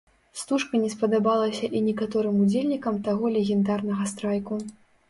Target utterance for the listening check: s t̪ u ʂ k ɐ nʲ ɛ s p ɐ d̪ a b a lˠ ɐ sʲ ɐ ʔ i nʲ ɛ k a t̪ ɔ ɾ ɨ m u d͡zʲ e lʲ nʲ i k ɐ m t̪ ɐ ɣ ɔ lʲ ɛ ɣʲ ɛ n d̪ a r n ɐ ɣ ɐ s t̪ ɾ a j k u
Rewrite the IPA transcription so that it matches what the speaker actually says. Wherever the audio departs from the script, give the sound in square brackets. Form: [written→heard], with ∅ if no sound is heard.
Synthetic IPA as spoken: s t̪ u ʂ k ɐ nʲ ɛ s p ɐ d̪ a b a lˠ ɐ sʲ ɐ ʔ i nʲ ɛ k a t̪ ɔ ɾ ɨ m u d͡zʲ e lʲ nʲ i k ɐ m t̪ [ɐ→a] ɣ ɔ lʲ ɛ ɣʲ ɛ n d̪ a r n ɐ ɣ ɐ s t̪ ɾ a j k u

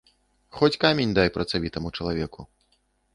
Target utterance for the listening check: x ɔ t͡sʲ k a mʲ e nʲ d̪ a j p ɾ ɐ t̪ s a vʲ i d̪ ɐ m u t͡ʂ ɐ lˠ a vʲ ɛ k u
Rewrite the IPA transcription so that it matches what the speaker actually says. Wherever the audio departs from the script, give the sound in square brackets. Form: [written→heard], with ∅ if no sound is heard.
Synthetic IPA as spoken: x ɔ t͡sʲ k a mʲ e nʲ d̪ a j p ɾ ɐ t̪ s a vʲ i [d̪→t̪] ɐ m u t͡ʂ ɐ lˠ a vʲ ɛ k u

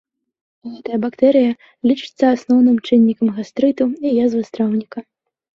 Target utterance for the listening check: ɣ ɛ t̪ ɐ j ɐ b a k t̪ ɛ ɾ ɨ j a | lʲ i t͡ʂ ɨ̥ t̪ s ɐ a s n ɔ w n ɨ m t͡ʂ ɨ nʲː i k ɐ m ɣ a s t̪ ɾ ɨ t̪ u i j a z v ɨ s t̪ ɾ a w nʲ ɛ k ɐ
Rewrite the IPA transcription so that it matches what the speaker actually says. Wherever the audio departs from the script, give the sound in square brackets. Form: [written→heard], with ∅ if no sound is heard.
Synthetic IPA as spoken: ɣ ɛ t̪ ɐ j ɐ b a k t̪ ɛ ɾ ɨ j [a→ɐ] | lʲ i t͡ʂ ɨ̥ t̪ [s→sː] ɐ a s n ɔ w n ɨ m t͡ʂ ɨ nʲː i k ɐ m ɣ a s t̪ ɾ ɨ t̪ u i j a z v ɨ s t̪ ɾ a w nʲ [ɛ→i] k ɐ

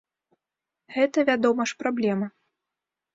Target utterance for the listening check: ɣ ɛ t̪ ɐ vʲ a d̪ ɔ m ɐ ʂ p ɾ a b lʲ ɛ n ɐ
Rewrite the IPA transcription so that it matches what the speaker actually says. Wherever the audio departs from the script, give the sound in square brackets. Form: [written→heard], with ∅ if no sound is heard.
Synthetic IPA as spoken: ɣ ɛ t̪ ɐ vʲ a d̪ ɔ m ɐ ʂ p ɾ a b lʲ ɛ [n→m] ɐ

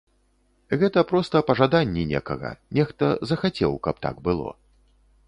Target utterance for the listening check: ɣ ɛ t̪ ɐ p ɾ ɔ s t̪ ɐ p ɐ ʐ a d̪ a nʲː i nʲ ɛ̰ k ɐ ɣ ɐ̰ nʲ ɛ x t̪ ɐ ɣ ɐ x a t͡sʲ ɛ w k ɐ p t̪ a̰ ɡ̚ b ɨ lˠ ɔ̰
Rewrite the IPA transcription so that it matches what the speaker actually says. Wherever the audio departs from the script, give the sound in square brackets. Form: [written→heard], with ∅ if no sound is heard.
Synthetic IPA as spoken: ɣ ɛ t̪ ɐ p ɾ ɔ s t̪ ɐ p ɐ ʐ a d̪ a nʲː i nʲ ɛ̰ k ɐ ɣ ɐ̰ nʲ ɛ x t̪ ɐ [ɣ→z] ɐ x a t͡sʲ ɛ w k ɐ p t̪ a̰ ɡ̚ b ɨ lˠ ɔ̰

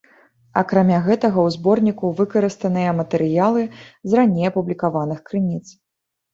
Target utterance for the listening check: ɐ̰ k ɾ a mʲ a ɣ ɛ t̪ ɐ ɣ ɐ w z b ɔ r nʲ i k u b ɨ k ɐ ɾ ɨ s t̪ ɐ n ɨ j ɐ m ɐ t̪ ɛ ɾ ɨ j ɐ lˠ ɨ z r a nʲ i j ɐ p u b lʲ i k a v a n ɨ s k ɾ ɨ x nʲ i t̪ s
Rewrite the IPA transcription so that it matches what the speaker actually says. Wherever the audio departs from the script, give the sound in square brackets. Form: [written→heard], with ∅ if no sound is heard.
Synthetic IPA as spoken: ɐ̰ k ɾ a mʲ a ɣ ɛ t̪ ɐ ɣ ɐ w z b ɔ r nʲ i k u [b→v] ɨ k ɐ ɾ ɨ s t̪ ɐ n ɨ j ɐ m ɐ t̪ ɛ ɾ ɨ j [ɐ→a] lˠ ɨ z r a nʲ [i→e] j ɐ p u b lʲ i k a v a n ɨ [s→x] k ɾ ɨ [x→∅] nʲ i t̪ s

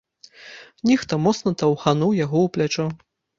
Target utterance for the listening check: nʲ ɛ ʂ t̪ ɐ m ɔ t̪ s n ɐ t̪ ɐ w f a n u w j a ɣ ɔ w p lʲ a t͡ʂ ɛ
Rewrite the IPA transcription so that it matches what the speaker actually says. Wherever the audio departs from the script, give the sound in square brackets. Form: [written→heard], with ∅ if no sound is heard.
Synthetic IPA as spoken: nʲ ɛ [ʂ→x] t̪ ɐ m ɔ t̪ s n ɐ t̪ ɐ w [f→x] a n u w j a ɣ ɔ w p lʲ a t͡ʂ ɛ

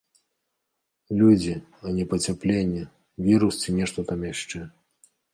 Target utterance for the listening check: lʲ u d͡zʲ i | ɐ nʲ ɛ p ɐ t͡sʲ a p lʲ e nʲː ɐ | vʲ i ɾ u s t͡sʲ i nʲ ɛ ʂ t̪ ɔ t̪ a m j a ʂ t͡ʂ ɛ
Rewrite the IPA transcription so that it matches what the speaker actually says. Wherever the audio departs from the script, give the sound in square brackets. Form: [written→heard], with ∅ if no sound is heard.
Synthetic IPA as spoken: lʲ u d͡zʲ i | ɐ nʲ ɛ p ɐ t͡sʲ a p lʲ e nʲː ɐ | vʲ i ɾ u s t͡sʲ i nʲ ɛ ʂ t̪ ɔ t̪ a m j a ʂ t͡ʂ ɛ

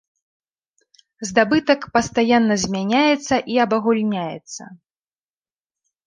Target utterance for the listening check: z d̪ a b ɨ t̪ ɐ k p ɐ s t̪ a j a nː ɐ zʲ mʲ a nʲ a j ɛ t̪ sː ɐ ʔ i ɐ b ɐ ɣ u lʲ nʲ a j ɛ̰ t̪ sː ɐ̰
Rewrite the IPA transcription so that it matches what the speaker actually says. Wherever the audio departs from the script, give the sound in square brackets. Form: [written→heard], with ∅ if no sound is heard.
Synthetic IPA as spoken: z d̪ a b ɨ t̪ ɐ k p ɐ s t̪ a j a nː ɐ zʲ mʲ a nʲ a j ɛ t̪ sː ɐ ʔ i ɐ b ɐ ɣ u lʲ nʲ a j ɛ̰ t̪ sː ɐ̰

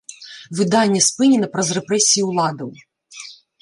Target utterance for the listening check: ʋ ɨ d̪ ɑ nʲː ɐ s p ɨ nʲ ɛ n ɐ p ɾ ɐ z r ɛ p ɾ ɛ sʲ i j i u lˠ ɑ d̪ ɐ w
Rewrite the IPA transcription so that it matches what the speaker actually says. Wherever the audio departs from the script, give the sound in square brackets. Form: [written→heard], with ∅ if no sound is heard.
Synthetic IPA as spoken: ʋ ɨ d̪ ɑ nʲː ɐ s p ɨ nʲ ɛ n ɐ p ɾ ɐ z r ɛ p ɾ ɛ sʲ i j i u lˠ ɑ d̪ ɐ w

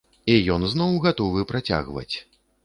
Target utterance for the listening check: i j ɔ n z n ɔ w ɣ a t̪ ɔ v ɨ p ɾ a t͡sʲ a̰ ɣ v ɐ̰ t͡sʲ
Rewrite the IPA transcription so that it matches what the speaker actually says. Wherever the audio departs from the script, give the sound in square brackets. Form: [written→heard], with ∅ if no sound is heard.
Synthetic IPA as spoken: i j ɔ n z n ɔ w ɣ a t̪ ɔ v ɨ p ɾ a t͡sʲ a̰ ɣ v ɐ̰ t͡sʲ

